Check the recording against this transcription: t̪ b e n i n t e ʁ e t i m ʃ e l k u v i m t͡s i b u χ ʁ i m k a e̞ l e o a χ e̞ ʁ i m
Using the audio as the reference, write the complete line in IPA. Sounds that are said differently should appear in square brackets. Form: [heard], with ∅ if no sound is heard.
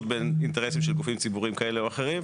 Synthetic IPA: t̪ b e n i n t e ʁ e [s] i m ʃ e l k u [f] i m t͡s i b u [∅] ʁ i m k a e̞ l e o a χ e̞ ʁ i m